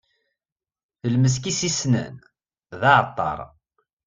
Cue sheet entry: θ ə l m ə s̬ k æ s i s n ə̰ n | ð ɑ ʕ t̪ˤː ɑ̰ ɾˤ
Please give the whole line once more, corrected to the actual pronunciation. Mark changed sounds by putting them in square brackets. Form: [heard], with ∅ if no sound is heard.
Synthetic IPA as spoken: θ ə l m ə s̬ k [i] s i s n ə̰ n | ð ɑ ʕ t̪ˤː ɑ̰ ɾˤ